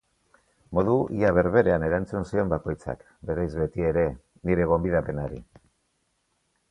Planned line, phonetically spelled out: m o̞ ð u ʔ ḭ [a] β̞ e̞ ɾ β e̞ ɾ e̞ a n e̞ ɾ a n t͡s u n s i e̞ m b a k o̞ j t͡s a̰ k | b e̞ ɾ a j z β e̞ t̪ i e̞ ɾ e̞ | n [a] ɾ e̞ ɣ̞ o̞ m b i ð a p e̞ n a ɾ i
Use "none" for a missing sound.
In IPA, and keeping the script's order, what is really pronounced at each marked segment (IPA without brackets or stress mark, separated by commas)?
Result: a, i